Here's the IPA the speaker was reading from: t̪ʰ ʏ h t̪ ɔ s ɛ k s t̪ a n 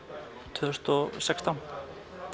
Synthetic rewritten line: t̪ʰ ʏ s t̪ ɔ s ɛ k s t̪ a n